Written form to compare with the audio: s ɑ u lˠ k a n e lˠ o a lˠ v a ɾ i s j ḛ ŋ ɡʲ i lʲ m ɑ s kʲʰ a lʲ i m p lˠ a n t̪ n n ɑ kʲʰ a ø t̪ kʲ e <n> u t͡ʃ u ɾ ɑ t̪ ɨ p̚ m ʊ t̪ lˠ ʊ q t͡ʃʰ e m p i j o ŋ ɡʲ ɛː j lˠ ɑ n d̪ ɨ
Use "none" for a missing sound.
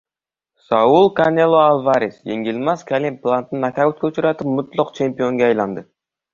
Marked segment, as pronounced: none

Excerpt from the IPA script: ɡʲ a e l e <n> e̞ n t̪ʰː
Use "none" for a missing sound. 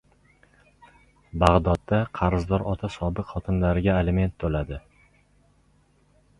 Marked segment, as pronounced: m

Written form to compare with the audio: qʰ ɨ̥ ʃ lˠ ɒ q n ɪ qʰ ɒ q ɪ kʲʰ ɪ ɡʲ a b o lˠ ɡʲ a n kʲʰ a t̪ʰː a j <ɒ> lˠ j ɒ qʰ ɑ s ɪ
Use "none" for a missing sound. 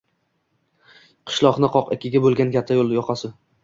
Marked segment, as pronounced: o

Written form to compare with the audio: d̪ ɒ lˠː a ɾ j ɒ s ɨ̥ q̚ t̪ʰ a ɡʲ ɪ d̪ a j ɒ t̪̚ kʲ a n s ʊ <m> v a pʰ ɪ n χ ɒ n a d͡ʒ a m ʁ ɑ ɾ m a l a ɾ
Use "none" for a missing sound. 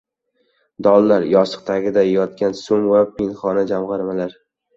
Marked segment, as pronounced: m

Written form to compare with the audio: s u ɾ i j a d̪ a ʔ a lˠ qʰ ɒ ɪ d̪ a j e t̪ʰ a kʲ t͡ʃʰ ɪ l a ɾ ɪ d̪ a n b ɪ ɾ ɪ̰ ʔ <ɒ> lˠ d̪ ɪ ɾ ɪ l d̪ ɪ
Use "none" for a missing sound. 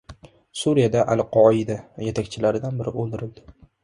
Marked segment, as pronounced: o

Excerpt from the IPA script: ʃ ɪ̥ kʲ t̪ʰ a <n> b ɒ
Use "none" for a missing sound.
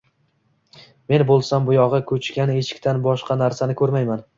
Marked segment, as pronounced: n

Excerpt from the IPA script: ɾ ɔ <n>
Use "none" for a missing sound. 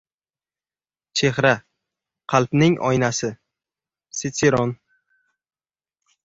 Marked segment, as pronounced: n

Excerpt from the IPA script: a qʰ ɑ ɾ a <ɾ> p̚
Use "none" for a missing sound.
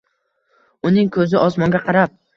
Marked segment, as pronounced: none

